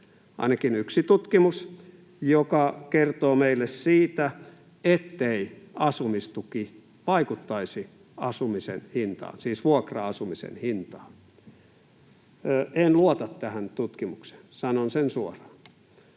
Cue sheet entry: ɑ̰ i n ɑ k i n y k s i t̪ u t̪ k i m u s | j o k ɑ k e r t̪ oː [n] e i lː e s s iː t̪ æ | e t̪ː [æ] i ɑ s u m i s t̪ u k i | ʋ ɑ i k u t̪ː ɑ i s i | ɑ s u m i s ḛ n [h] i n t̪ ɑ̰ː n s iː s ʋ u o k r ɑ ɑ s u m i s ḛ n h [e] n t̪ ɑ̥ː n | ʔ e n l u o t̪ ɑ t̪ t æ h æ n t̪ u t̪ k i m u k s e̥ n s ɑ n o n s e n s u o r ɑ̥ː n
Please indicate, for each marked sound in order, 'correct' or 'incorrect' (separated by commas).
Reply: incorrect, incorrect, correct, incorrect